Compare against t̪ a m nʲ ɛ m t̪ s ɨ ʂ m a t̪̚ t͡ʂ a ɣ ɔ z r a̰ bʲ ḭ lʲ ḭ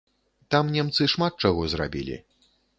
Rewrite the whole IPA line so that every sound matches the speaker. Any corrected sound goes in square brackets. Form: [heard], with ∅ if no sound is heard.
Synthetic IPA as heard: t̪ a m nʲ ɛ m t̪ s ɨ ʂ m a t̪̚ t͡ʂ a ɣ ɔ z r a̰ bʲ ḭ lʲ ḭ